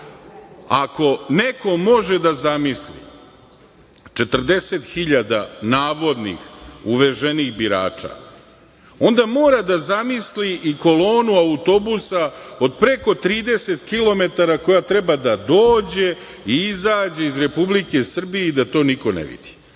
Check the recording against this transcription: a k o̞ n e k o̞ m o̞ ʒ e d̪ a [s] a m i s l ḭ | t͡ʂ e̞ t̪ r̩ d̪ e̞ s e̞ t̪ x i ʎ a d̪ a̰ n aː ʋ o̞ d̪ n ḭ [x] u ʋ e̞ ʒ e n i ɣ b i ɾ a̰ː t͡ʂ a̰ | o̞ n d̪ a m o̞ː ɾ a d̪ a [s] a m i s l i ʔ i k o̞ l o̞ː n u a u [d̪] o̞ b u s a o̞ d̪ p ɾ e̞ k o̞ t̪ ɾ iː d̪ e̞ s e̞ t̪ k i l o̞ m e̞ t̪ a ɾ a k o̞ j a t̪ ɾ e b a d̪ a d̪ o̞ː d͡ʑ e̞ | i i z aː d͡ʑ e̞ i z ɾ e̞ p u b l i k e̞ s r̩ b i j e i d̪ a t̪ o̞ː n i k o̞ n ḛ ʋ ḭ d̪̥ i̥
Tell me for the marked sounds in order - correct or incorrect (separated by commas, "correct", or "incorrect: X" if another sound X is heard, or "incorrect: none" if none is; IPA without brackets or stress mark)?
incorrect: z, correct, incorrect: z, incorrect: t̪